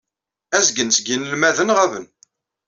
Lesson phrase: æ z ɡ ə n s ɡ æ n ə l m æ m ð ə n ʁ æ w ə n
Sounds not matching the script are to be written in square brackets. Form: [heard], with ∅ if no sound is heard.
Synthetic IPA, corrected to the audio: æ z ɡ ə n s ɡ [i] n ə l m æ [∅] ð ə n ʁ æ [v] ə n